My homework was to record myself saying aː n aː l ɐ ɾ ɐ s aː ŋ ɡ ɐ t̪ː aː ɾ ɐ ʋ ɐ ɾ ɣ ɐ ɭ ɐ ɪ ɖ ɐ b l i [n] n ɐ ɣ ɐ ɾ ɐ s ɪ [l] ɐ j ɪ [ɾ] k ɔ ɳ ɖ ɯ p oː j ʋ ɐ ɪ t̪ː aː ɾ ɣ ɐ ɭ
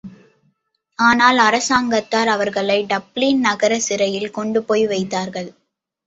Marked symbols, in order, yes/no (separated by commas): yes, no, no